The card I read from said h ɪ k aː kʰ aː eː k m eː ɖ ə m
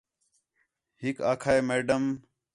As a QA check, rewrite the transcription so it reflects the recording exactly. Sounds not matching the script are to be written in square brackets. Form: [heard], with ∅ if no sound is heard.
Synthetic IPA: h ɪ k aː kʰ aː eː [∅] m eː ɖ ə m